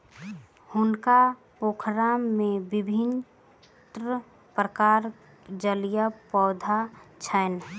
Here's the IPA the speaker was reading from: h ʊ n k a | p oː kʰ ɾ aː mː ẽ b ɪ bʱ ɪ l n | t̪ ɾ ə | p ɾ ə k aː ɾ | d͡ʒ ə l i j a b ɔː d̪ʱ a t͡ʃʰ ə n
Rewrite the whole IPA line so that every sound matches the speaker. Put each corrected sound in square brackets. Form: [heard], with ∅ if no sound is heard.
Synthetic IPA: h ʊ n k a | p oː kʰ ɾ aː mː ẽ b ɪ bʱ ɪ [∅] n | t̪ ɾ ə | p ɾ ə k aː ɾ | d͡ʒ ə l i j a [p] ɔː d̪ʱ a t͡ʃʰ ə n